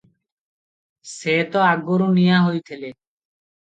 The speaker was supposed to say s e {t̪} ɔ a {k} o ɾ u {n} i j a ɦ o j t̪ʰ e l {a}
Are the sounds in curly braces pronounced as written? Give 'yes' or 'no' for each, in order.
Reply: yes, no, yes, no

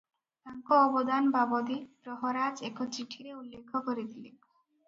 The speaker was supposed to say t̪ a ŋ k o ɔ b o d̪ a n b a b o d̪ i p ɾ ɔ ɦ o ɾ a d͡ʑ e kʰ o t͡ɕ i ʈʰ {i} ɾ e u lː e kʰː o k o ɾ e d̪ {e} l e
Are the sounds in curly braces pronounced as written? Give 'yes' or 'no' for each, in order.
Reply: yes, no

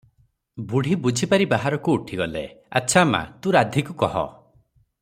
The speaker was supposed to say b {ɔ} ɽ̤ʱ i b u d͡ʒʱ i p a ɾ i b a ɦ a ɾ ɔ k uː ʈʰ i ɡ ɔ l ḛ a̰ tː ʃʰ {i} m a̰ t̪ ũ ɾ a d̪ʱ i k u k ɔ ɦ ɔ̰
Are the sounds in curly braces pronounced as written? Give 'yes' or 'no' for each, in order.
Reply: no, no

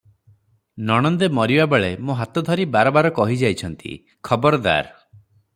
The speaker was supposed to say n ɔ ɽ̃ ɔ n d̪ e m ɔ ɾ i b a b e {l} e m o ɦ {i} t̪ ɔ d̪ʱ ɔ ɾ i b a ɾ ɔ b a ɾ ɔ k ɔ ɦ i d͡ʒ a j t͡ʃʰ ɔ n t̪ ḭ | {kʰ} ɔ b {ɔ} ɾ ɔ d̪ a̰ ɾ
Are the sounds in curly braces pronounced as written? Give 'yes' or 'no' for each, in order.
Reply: no, no, yes, yes

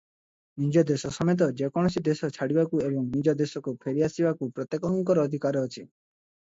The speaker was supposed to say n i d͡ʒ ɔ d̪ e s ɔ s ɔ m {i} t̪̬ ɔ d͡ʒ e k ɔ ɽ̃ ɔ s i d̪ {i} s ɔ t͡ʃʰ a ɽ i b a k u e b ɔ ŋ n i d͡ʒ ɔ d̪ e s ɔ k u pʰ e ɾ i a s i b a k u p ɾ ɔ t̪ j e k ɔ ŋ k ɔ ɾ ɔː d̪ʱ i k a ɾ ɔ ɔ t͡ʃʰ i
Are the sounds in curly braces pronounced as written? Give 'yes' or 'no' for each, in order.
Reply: no, no

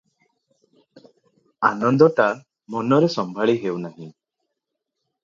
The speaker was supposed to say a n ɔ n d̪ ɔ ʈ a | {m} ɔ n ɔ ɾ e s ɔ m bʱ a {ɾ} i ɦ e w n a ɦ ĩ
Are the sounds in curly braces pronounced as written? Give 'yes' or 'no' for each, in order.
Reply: yes, no

